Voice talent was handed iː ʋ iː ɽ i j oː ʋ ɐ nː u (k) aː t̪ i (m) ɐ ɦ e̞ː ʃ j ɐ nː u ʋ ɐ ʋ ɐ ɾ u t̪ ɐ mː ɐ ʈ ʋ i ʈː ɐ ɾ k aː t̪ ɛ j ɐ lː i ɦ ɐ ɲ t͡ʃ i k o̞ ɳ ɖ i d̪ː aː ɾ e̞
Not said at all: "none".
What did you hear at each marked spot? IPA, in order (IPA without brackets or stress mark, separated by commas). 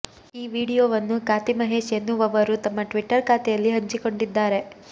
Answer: k, m